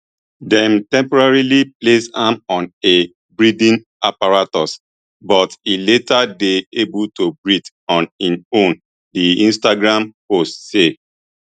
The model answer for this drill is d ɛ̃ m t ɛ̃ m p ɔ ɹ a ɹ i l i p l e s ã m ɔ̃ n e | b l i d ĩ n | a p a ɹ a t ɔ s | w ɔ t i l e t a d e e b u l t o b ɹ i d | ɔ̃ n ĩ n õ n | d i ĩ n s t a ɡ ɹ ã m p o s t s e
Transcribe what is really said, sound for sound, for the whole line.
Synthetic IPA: d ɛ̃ m t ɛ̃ m p ɔ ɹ a ɹ i l i p l e s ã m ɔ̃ n e | b ɹ i d ĩ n | a p a ɹ a t ɔ s | b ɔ t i l e t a d e e b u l t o b ɹ i d | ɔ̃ n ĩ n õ n | d i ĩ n s t a ɡ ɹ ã m p o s t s e